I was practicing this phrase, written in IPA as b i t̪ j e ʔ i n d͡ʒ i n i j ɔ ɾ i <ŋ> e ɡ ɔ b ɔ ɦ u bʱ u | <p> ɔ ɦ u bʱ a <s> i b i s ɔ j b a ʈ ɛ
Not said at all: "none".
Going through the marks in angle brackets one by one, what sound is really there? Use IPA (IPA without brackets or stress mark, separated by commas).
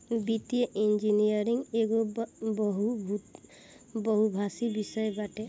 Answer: ŋ, b, s